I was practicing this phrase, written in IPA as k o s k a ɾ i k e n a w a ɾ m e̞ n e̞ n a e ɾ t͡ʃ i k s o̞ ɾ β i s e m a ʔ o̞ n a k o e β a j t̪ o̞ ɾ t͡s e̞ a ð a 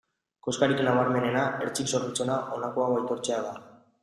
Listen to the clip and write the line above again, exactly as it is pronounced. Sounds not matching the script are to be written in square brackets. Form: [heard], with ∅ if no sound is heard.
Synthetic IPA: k o s k a ɾ i k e n a [β] a ɾ m e̞ n e̞ n a e ɾ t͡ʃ i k s o̞ ɾ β i [t͡s] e [n] a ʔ o̞ n a k o [a] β a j t̪ o̞ ɾ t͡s e̞ a ð a